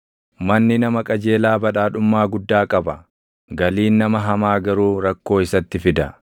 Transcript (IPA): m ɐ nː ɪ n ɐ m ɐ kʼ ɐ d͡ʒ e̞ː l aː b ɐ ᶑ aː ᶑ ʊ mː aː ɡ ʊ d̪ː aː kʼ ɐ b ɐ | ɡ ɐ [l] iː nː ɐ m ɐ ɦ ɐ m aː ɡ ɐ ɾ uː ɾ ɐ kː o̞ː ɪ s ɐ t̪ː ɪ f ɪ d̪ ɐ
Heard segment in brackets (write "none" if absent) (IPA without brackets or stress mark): l